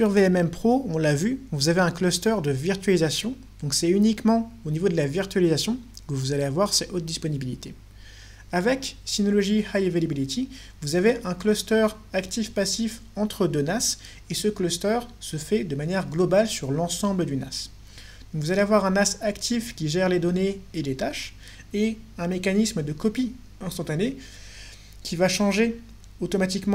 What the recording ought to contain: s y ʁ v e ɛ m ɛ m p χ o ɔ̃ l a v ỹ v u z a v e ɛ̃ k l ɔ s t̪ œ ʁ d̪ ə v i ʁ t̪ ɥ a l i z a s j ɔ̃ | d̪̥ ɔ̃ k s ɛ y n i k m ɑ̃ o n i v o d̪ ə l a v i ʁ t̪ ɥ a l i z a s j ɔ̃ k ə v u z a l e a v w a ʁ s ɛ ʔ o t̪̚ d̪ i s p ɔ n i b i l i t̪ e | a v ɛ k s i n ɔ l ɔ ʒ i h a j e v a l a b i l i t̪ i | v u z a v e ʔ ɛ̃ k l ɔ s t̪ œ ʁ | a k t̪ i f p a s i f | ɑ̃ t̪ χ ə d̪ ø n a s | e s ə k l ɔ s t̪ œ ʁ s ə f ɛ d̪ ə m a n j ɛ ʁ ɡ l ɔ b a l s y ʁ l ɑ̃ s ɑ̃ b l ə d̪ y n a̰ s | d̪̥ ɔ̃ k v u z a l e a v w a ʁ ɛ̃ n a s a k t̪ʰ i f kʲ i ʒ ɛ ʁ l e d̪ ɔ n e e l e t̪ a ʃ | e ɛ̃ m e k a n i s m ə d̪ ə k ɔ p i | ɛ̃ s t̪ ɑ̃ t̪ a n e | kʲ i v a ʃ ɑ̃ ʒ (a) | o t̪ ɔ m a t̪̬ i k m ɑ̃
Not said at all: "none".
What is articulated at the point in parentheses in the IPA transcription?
e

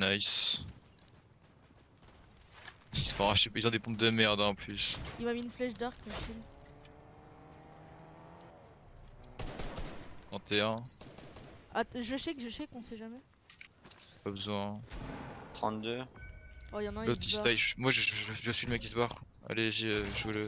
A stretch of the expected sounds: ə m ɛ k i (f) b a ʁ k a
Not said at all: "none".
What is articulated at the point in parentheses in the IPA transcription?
s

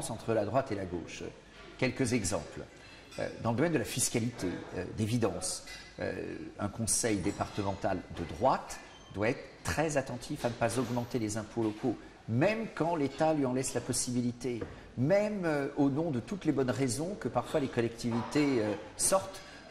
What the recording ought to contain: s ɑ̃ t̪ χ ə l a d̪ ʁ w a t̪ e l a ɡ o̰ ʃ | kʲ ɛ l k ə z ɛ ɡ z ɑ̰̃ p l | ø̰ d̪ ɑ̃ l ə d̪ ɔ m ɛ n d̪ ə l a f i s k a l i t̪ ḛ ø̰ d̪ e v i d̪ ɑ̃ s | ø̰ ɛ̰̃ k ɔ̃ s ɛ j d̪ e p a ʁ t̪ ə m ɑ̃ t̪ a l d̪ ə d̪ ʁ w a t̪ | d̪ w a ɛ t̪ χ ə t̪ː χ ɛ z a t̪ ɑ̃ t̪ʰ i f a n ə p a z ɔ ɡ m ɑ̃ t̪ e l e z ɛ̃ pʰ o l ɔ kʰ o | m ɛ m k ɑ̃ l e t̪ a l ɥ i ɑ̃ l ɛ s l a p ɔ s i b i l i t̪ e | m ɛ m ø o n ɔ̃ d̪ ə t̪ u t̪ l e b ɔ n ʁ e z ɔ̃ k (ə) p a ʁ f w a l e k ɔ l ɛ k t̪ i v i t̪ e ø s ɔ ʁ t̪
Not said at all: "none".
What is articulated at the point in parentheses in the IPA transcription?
ə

